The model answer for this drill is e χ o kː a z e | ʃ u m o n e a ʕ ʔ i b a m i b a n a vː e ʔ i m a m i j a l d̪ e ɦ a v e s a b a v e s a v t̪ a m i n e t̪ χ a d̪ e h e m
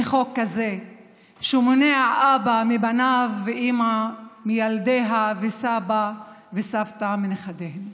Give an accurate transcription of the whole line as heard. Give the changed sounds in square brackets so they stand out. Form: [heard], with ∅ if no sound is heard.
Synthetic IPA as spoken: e χ o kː a z e | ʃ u m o n e a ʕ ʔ [a] b a m i b a n a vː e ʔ i m a m i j a l d̪ e ɦ a v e s a b a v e s a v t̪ a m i n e [∅] χ a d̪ e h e m